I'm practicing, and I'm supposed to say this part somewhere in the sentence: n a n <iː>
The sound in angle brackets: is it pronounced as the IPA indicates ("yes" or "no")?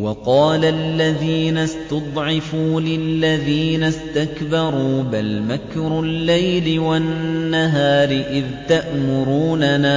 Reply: no